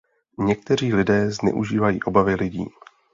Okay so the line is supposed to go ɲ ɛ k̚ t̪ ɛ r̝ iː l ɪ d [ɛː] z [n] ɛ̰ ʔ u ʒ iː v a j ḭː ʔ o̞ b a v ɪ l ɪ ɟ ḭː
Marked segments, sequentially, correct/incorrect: correct, correct

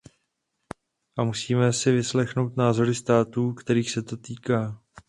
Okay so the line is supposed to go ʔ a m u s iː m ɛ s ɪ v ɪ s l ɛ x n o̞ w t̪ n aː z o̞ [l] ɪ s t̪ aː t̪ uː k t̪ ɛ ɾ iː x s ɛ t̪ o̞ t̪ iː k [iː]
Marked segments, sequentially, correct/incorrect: incorrect, incorrect

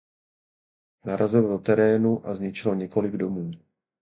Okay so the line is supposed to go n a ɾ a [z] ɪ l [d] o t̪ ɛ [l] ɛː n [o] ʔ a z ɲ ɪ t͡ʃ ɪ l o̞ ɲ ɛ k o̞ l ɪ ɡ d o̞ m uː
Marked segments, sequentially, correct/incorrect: correct, correct, incorrect, incorrect

